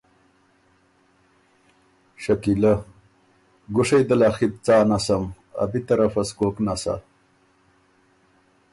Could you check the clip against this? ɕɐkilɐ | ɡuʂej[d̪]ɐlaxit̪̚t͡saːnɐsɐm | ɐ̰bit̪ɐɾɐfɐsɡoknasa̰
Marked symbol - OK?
yes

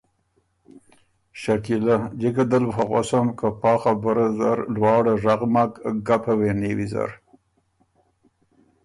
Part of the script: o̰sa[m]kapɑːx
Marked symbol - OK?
yes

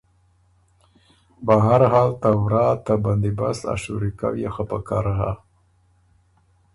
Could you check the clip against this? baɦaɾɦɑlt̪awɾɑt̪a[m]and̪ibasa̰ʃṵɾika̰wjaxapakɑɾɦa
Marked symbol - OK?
no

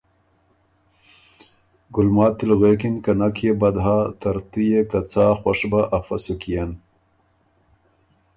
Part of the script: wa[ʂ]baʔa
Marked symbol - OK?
yes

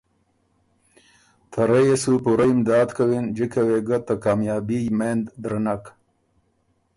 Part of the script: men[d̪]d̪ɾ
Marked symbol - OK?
yes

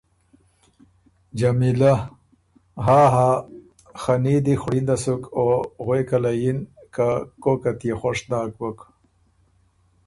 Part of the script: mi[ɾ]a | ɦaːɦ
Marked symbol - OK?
no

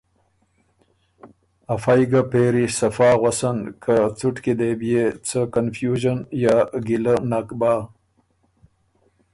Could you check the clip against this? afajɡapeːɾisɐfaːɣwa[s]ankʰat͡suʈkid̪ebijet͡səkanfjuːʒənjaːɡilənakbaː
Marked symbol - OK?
yes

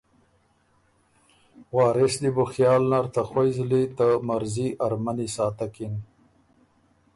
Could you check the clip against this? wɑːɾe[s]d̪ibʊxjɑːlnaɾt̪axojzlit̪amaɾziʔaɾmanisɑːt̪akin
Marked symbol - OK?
yes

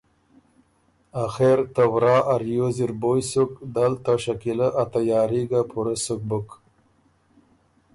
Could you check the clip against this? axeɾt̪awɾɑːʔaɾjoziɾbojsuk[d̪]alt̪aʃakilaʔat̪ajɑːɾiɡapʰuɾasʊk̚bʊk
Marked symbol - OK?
yes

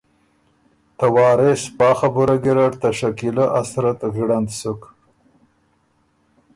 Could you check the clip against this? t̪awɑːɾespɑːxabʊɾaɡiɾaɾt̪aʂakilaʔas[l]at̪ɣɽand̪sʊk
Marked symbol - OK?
no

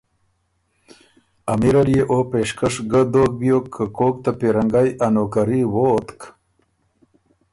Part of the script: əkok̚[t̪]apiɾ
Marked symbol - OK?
yes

